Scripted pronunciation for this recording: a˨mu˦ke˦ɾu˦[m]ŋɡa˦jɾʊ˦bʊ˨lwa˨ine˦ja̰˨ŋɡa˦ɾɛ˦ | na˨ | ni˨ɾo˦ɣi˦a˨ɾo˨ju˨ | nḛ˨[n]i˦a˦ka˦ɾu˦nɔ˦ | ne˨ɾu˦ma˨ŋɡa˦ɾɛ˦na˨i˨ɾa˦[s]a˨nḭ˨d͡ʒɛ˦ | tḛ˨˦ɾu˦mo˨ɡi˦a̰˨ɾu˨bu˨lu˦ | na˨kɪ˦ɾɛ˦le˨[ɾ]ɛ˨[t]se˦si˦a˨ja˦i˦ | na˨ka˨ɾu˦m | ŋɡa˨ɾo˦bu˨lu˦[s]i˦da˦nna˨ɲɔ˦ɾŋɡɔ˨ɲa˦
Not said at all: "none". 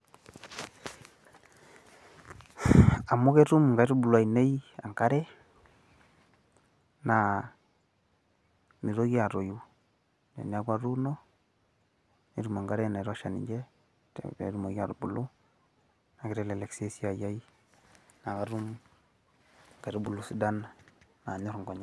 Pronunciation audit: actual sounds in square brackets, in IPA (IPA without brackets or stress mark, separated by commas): m, n, ʃ, l, k, s